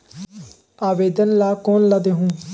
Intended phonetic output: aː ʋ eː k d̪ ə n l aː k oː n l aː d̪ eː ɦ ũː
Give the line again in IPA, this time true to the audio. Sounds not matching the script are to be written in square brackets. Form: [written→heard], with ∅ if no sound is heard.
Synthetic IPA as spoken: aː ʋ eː [k→∅] d̪ ə n l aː k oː n l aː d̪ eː ɦ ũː